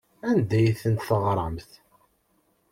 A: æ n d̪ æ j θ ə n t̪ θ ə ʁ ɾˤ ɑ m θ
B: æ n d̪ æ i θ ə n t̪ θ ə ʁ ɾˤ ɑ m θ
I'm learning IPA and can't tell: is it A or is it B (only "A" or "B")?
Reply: A